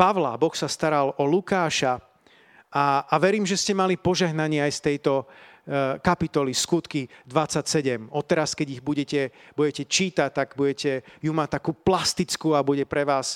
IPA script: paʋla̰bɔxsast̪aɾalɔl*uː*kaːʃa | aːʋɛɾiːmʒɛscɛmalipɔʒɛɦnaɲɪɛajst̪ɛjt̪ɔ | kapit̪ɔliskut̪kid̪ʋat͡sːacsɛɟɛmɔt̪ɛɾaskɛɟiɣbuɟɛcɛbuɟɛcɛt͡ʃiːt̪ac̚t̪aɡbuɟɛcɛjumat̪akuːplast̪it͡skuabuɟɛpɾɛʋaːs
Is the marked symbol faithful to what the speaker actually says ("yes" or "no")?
no